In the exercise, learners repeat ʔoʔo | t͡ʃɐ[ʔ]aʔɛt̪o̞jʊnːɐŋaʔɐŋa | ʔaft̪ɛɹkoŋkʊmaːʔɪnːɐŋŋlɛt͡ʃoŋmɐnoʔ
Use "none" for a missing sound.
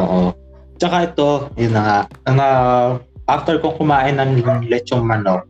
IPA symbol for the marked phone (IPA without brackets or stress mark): k